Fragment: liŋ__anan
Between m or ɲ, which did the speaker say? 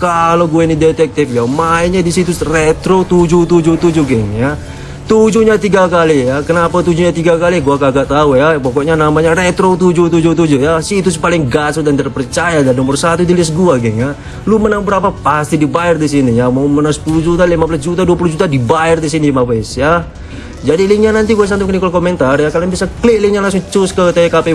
ɲ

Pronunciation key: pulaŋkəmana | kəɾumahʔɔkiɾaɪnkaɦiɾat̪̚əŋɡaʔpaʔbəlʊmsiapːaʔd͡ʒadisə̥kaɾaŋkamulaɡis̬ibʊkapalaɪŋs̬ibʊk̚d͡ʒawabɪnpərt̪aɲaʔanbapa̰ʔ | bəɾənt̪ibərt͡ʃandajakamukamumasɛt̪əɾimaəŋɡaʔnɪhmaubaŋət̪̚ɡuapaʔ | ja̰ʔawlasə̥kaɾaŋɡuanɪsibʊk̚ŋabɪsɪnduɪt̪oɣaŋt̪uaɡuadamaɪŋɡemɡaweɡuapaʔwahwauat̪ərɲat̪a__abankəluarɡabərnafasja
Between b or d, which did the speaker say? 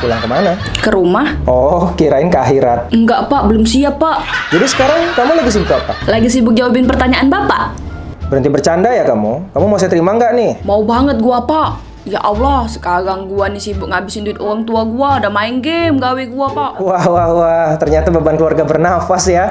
b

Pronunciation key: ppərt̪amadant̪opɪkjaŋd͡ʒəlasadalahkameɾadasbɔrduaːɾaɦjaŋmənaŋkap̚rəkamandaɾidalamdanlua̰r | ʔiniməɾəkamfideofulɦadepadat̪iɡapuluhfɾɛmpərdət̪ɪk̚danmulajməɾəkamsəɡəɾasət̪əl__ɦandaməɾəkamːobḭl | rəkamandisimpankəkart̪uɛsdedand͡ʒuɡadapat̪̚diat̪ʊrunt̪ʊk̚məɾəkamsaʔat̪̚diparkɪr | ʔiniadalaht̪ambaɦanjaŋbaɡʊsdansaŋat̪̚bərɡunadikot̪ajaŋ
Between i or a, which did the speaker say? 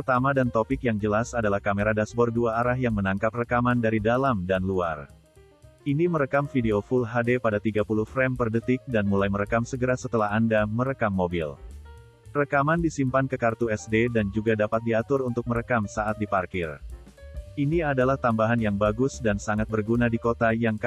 a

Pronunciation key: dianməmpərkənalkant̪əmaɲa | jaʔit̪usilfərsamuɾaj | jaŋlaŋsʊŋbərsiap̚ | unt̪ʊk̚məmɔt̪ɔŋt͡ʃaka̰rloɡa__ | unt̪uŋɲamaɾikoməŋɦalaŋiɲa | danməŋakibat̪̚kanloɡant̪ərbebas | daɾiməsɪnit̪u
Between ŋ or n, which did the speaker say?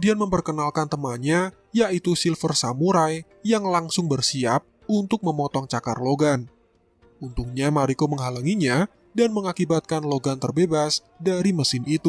n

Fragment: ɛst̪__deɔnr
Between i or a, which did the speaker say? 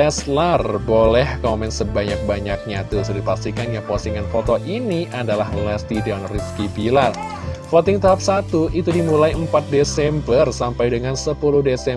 i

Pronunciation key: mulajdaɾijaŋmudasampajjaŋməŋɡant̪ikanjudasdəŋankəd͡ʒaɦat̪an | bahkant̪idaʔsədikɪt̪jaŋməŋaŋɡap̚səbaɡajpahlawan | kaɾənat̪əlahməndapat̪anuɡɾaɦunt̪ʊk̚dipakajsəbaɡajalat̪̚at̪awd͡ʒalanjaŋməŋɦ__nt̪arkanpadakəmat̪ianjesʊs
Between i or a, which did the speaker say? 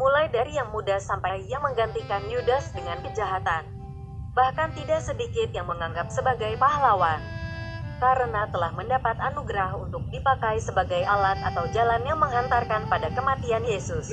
a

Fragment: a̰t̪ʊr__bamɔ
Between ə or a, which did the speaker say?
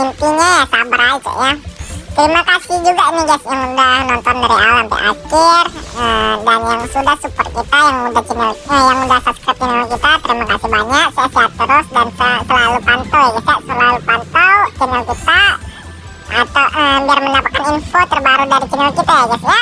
ə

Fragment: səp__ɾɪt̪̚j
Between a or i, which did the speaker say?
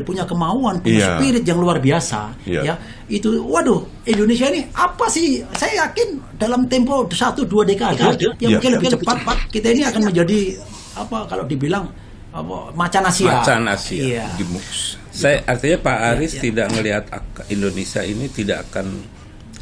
i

